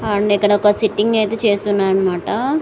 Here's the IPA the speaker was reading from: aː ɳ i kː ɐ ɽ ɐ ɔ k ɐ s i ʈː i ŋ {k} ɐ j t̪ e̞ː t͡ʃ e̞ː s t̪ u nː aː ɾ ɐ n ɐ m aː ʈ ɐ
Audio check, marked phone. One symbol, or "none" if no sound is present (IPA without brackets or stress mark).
ɡ